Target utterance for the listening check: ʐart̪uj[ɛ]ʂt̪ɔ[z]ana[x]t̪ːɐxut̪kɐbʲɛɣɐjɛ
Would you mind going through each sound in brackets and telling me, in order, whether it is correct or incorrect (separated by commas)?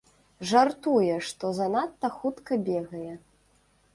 correct, correct, incorrect